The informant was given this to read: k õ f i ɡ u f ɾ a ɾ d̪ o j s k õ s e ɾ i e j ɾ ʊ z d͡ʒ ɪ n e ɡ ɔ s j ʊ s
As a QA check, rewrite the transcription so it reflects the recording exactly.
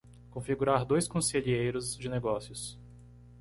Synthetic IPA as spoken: k õ f i ɡ u ɾ a ɾ d̪ o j s k õ s e ʎ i e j ɾ ʊ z d͡ʒ ɪ n e ɡ ɔ s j ʊ s